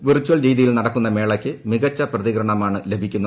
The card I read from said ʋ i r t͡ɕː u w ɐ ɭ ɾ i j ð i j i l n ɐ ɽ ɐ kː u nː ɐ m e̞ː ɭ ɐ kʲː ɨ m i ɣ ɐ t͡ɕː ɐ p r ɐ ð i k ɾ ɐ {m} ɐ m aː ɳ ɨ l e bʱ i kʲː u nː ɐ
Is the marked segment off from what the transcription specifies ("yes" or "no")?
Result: yes